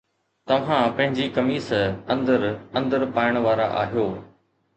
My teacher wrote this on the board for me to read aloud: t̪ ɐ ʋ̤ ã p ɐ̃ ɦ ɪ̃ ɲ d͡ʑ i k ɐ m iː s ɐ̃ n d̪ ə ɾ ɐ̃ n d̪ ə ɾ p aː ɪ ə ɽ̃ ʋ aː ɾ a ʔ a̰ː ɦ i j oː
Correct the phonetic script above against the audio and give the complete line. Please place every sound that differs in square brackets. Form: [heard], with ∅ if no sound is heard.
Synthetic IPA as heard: t̪ ɐ ʋ̤ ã p ɐ̃ ɦ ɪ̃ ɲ d͡ʑ i k ɐ m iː s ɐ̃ n d̪ ə ɾ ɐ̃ n d̪ ə ɾ p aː ɪ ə ɽ̃ ʋ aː ɾ a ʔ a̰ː ɦ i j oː